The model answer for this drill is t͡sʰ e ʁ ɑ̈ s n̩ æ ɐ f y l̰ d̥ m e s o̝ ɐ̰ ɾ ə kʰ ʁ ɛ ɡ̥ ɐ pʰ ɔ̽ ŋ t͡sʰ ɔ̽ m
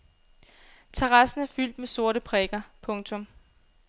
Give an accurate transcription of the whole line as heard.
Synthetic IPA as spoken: t͡sʰ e ʁ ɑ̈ s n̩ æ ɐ f y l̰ d̥ m e s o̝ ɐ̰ ɾ ə pʰ ʁ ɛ ɡ̥ ɐ pʰ ɔ̽ ŋ t͡sʰ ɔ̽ m